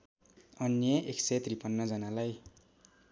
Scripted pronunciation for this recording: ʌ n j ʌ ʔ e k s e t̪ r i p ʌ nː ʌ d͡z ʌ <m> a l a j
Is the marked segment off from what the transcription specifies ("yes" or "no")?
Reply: yes